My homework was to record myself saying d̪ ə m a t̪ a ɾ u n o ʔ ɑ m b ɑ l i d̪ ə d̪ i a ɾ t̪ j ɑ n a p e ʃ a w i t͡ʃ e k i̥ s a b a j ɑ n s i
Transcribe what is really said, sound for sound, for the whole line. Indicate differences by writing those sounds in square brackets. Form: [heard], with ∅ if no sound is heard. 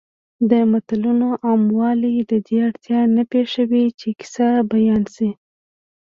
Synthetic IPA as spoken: d̪ ə m a t̪ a [l] u n o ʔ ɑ m [w] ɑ l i d̪ ə d̪ [e] a [ɽ] t̪ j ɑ n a p e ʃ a w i t͡ʃ e k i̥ s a b a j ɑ n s i